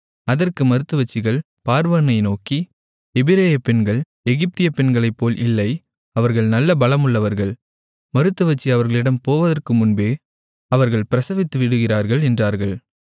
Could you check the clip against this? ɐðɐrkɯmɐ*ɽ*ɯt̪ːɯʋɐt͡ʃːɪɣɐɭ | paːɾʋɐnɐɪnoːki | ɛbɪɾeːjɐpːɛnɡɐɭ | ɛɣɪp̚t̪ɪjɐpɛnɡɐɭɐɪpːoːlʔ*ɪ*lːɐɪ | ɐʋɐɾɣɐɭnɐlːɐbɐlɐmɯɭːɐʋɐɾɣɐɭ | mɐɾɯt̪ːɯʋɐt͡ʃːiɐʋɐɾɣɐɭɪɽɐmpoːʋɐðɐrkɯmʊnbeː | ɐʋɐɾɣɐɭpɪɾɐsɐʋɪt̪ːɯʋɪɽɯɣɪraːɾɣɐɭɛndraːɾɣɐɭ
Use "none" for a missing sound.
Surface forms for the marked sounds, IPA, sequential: ɾ, ɪ

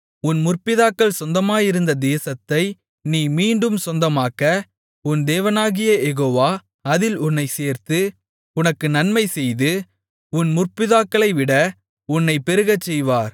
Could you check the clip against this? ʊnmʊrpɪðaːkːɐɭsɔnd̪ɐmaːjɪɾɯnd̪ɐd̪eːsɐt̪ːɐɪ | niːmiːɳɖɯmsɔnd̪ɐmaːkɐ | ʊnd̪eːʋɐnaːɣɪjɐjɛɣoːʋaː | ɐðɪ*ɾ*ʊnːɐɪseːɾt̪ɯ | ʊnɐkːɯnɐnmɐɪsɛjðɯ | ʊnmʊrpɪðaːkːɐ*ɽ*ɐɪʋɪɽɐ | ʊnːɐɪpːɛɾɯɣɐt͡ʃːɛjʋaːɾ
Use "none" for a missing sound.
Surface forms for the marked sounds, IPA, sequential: l, ɭ

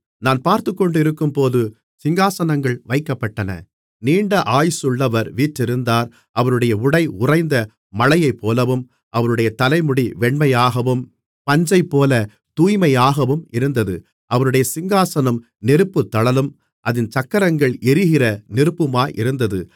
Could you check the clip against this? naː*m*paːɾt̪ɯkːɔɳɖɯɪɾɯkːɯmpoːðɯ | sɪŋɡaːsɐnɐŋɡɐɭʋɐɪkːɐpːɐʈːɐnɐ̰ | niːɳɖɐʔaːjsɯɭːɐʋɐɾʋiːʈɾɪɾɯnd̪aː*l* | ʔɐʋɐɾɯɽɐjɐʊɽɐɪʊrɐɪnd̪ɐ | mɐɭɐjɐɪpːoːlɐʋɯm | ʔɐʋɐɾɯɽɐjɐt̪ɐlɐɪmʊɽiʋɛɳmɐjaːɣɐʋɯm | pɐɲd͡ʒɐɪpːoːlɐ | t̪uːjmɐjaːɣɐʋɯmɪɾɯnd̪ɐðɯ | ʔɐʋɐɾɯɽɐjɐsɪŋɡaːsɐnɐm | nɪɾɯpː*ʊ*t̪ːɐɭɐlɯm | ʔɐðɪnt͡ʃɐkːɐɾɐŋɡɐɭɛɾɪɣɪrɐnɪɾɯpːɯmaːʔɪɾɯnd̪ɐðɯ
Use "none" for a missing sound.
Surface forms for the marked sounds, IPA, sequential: n, ɾ, ɯ

